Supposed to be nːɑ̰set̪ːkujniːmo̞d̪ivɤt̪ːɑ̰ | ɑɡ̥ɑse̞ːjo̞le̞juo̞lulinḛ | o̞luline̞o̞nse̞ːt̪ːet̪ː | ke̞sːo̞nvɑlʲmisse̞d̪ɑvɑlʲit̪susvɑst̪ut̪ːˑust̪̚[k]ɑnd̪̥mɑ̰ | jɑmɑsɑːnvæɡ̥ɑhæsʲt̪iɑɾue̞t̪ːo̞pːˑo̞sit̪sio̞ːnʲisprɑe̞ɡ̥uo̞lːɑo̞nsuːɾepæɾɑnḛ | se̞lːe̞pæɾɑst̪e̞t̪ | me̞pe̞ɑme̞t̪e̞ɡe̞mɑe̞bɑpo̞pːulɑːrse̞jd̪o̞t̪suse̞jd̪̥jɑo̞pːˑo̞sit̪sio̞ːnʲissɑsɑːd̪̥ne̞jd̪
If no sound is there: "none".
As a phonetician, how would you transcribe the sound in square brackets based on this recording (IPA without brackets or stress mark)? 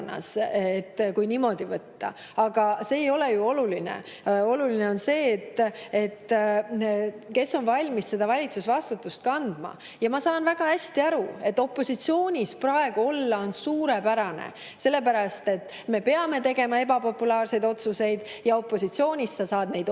k